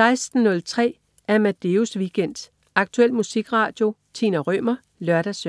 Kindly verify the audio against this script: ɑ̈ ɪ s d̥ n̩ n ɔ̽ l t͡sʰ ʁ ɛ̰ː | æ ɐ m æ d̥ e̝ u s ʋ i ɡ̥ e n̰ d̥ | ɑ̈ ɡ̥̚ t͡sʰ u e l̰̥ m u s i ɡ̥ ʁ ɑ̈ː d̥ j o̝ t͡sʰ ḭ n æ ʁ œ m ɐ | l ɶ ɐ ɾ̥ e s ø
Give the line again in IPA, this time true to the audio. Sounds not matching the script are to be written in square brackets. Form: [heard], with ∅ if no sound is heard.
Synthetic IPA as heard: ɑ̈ ɪ s d̥ n̩ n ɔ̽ l t͡sʰ ʁ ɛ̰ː | æ ɐ m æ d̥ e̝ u s ʋ i ɡ̥ e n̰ d̥ | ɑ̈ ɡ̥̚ t͡sʰ u e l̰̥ m u s i ɡ̥ ʁ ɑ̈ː d̥ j o̝ t͡sʰ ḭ n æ ʁ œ m ɐ | l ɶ ɐ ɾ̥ [æ] s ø

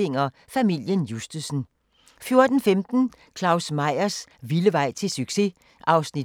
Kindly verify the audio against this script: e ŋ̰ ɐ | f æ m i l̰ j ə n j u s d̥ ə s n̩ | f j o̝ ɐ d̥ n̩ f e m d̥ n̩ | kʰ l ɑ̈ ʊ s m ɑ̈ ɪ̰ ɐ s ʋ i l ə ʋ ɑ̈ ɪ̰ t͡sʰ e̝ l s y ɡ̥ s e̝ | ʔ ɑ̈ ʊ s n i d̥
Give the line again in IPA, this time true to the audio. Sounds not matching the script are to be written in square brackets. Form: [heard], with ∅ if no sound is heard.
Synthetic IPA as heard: e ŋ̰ ɐ | f æ m i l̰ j ə n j u s d̥ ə s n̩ | f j o̝ ɐ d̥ n̩ f e m d̥ n̩ | kʰ l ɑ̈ ʊ s m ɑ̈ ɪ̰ ɐ s ʋ i l ə ʋ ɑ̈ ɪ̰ t͡sʰ e̝ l s y ɡ̥ s e̝ | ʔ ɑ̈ ʊ s n i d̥

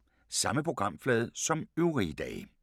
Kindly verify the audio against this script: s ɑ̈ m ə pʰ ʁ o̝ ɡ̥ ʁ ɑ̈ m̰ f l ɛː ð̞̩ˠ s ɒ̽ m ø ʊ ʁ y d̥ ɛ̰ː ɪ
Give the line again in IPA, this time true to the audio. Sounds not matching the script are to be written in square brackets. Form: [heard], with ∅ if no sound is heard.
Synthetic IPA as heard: s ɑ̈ m ə pʰ ʁ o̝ ɡ̥ ʁ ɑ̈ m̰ f l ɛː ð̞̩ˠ s ɒ̽ m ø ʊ ʁ [i] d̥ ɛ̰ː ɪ

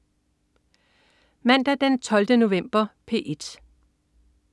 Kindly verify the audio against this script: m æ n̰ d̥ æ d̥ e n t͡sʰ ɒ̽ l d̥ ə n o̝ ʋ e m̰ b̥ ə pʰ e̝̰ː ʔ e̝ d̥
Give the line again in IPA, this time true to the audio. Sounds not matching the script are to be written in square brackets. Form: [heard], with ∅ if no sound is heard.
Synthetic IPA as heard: m æ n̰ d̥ æ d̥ e n t͡sʰ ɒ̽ l d̥ ə n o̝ ʋ e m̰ b̥ [ɐ] pʰ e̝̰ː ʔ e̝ d̥

